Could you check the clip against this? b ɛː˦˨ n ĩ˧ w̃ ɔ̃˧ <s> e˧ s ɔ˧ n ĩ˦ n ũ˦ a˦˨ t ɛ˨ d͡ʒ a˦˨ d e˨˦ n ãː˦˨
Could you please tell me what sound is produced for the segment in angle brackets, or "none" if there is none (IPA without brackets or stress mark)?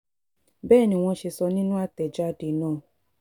ʃ